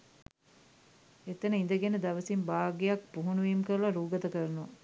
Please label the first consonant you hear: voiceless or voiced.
voiceless